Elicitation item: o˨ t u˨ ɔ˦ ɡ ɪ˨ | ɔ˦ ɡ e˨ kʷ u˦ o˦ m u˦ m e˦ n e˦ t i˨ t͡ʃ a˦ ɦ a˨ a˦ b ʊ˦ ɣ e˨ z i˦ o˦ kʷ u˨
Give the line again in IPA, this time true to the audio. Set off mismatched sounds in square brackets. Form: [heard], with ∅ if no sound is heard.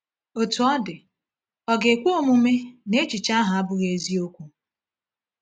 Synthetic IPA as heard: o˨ t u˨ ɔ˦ [d] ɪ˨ | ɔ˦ ɡ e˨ kʷ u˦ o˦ m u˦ m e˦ n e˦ [t͡ʃ] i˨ t͡ʃ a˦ ɦ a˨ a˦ b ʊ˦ ɣ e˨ z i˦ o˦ kʷ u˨

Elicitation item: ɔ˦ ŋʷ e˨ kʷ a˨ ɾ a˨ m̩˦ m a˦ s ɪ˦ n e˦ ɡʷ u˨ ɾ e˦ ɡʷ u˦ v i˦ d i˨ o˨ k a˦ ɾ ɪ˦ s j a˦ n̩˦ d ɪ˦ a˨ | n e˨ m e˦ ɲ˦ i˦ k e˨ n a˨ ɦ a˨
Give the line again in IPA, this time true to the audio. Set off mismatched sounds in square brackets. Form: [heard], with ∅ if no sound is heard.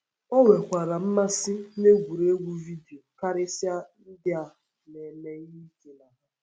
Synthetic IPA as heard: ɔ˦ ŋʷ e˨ kʷ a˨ ɾ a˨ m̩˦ m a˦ s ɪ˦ n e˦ ɡʷ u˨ ɾ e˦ ɡʷ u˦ v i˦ d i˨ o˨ k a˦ ɾ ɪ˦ s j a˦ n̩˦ d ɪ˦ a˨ | n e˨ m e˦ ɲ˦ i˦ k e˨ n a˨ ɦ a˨

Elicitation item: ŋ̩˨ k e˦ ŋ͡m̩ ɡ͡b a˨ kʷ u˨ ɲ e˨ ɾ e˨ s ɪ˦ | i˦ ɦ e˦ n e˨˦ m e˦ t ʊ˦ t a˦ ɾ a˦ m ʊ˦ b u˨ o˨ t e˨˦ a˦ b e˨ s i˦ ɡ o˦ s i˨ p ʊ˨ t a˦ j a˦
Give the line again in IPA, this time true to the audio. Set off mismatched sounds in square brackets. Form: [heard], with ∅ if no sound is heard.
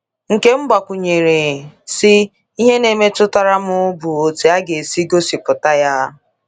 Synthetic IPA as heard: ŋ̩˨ k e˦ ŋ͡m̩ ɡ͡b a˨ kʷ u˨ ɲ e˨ ɾ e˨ s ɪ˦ | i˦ ɦ e˦ n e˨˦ m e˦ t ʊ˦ t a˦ ɾ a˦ m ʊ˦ b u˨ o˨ t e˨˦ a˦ [ɡ] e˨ s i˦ ɡ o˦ s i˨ p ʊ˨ t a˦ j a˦

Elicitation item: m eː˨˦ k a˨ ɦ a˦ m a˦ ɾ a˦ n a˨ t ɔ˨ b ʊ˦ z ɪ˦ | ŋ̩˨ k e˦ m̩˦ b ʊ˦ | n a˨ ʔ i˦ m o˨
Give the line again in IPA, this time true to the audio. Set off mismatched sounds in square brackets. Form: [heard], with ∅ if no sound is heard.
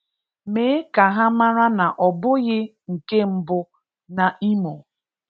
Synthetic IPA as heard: m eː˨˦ k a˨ ɦ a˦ m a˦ ɾ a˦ n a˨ [ʔ] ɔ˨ b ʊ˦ [ɣ] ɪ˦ | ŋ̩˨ k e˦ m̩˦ b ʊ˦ | n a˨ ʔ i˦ m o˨

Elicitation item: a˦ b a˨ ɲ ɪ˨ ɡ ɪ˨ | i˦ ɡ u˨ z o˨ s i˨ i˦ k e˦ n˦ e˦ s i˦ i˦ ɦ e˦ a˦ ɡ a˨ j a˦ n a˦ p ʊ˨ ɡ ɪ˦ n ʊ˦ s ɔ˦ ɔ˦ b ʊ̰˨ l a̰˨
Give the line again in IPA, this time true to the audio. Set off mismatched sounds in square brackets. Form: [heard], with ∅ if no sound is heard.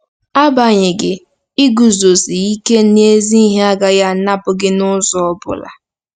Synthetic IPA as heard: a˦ b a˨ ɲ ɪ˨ ɡ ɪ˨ | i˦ ɡ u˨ z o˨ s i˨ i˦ k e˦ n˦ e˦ [z] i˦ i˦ ɦ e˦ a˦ ɡ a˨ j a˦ n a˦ p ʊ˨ ɡ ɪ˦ n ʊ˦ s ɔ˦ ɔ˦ b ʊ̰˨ l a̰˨

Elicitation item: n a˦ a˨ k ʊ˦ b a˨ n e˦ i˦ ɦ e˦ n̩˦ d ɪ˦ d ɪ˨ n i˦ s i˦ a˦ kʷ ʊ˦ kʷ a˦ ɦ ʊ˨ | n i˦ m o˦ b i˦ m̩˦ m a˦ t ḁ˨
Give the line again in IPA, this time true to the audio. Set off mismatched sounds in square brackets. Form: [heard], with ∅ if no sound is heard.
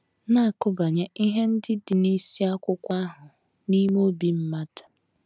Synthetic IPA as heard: n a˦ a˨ k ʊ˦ b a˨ [ɲ] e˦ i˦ ɦ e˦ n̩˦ d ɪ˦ d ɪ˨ n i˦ s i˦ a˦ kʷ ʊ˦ kʷ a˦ ɦ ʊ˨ | n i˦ m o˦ b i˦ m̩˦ m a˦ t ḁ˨

